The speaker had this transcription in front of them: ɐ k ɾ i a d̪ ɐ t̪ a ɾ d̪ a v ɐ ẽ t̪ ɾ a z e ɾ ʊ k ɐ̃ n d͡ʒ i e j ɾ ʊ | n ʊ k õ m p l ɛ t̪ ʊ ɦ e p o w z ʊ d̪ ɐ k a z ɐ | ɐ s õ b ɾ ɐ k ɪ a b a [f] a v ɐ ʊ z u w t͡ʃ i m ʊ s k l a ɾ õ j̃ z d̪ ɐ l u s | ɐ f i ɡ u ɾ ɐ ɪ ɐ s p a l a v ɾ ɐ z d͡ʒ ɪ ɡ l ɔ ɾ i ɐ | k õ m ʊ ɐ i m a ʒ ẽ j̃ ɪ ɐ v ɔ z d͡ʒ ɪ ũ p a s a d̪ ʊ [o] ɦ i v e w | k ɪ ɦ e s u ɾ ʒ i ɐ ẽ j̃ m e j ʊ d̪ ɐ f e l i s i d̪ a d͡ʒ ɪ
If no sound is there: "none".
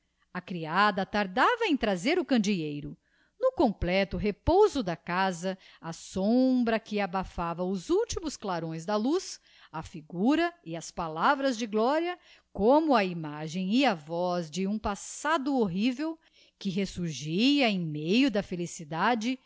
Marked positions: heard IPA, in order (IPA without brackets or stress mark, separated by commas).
f, o